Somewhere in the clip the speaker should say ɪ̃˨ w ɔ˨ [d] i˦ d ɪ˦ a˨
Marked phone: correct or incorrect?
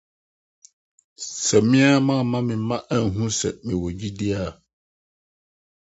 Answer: incorrect